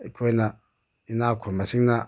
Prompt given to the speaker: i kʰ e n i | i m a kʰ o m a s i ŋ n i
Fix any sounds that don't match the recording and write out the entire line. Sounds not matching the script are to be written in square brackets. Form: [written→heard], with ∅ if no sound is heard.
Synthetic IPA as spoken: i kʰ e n [i→a] | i [m→n] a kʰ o m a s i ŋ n [i→a]